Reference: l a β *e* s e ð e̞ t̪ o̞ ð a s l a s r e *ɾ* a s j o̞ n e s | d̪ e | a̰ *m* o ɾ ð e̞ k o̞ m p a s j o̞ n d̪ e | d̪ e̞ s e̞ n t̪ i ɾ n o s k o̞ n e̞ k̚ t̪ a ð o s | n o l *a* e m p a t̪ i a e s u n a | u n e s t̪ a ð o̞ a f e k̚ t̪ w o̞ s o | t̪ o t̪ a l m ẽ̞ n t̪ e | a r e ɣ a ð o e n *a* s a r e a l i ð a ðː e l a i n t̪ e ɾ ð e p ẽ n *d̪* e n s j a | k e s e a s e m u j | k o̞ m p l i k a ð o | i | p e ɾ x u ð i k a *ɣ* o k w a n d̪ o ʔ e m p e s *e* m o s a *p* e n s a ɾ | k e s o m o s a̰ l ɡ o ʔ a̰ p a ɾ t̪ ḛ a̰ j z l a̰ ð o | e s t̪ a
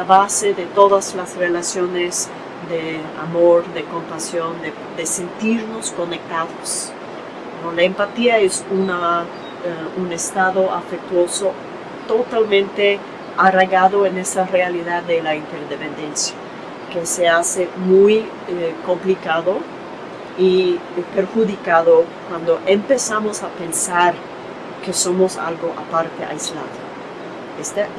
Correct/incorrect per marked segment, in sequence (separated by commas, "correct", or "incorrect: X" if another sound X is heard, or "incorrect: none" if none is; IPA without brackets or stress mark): incorrect: a, incorrect: l, correct, correct, incorrect: e, correct, incorrect: ð, incorrect: a, correct